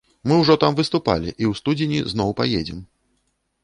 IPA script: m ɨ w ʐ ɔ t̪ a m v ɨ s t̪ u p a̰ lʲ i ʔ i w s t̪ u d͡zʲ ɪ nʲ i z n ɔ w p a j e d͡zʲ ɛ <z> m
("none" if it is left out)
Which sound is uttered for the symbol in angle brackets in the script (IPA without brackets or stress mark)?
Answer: none